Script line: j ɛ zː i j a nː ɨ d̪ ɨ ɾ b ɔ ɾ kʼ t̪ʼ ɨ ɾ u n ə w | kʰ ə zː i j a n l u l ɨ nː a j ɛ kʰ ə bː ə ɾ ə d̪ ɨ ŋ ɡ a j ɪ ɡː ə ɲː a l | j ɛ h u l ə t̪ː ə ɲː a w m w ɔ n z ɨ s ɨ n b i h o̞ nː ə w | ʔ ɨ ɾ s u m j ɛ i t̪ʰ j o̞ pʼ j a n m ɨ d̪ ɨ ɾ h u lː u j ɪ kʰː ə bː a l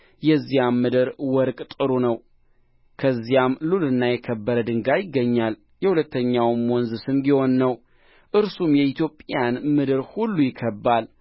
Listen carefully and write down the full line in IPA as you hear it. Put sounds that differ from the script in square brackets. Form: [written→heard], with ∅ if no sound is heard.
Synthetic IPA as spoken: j ɛ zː i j a [nː→mː] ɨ d̪ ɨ ɾ [b→w] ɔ ɾ kʼ t̪ʼ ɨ ɾ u n ə w | kʰ ə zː i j a [n→m] l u l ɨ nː a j ɛ kʰ ə bː ə ɾ ə d̪ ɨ ŋ ɡ a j ɪ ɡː ə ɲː a l | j ɛ h u l ə t̪ː ə ɲː a w m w ɔ n z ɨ s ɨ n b i h o̞ nː ə w | ʔ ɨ ɾ s u m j ɛ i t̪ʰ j o̞ pʼ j a n m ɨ d̪ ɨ ɾ h u lː u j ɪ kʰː ə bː a l